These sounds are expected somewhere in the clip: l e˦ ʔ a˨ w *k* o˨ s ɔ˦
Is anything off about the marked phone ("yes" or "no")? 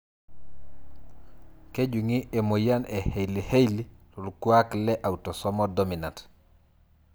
yes